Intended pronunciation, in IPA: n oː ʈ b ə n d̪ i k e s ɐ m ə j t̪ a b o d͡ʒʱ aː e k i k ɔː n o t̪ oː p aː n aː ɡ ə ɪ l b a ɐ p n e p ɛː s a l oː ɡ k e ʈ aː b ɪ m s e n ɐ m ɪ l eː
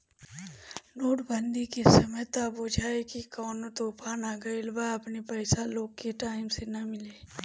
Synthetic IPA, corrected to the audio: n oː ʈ b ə n d̪ i k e s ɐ m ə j t̪ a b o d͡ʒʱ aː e k i k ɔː n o t̪ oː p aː n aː ɡ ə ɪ l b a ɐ p n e p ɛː s a l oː ɡ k e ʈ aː ɪ m s e n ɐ m ɪ l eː